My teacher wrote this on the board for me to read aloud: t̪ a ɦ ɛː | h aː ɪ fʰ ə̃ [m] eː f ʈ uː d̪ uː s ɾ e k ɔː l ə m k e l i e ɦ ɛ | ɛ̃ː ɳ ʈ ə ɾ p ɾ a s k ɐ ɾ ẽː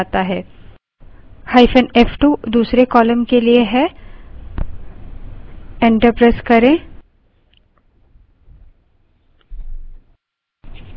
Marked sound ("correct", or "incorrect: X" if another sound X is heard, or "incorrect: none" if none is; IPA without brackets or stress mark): incorrect: n